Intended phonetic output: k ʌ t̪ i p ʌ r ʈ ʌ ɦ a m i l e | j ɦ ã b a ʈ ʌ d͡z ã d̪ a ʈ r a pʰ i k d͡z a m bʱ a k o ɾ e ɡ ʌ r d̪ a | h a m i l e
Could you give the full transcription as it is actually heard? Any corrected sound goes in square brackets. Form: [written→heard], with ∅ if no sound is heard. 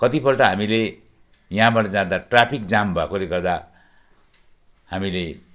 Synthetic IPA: k ʌ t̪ i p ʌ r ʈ ʌ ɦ a m i l e | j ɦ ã b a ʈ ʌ d͡z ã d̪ a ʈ r a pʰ i k d͡z a m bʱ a k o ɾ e ɡ ʌ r d̪ a | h a m i l e